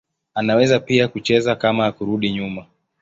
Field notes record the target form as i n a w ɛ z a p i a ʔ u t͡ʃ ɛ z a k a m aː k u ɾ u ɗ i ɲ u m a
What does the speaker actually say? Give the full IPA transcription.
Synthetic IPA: a n a w ɛ z a p i a k u t͡ʃ ɛ z a k a m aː k u ɾ u ɗ i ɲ u m a

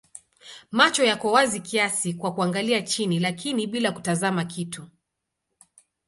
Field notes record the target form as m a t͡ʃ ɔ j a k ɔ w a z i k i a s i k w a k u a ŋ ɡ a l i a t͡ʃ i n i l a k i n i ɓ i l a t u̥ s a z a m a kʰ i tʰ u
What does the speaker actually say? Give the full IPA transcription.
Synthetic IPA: m a t͡ʃ ɔ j a k ɔ w a z i k i a s i k w a k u a ŋ ɡ a l i a t͡ʃ i n i l a k i n i ɓ i l a k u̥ t a z a m a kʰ i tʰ u

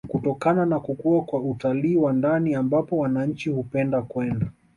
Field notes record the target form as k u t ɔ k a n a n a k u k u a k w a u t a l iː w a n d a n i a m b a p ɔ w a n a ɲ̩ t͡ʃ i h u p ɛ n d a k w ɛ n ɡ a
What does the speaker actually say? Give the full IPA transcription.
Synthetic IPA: k u t ɔ k a n a n a k u k u a k w a u t a l iː w a n d a n i a m b a p ɔ w a n a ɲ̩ t͡ʃ i h u p ɛ n d a k w ɛ n d a

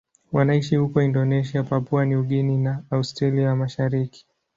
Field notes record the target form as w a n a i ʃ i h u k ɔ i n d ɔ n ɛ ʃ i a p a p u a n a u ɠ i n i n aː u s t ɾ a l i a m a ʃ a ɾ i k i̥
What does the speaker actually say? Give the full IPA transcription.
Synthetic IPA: w a n a i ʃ i h u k ɔ i n d ɔ n ɛ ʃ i a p a p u a n i u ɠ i n i n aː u s t ɾ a l i a m a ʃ a ɾ i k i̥

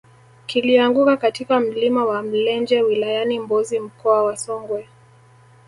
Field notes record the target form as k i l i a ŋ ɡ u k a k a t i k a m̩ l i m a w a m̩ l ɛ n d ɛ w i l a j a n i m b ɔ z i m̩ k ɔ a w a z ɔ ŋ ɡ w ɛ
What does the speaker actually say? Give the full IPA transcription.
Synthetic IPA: k i l i a ŋ ɡ u k a k a t i k a m̩ l i m a w a m̩ l ɛ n d͡ʒ ɛ w i l a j a n i m b ɔ z i m̩ k ɔ a w a s ɔ ŋ ɡ w ɛ

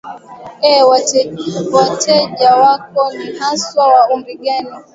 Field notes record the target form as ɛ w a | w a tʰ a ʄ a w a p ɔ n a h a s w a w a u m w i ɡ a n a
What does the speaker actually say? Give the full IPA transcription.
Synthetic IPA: ɛ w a | w a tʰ ɛ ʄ a w a k ɔ n i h a s w a w a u m b i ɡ a n i

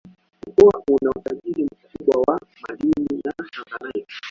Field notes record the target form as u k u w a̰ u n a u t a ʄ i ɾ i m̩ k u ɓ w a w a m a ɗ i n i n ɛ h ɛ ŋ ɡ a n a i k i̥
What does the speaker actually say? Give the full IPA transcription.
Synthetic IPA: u k u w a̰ u n a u t a ʄ i ɾ i m̩ k u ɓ w a w a m a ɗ i n i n a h a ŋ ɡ a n a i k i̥

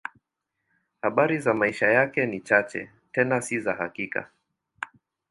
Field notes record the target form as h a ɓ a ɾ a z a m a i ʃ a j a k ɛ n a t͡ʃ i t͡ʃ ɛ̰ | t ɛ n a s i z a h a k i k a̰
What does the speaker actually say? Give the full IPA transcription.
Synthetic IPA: h a ɓ a ɾ i z a m a i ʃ a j a k ɛ n i t͡ʃ a t͡ʃ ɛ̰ | t ɛ n a s i z a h a k i k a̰

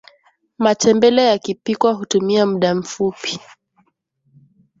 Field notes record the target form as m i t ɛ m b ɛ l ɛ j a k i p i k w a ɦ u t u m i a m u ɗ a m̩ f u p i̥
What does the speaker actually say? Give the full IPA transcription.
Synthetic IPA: m a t ɛ m b ɛ l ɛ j a k i p i k w a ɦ u t u m i a m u ɗ a m̩ f u p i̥

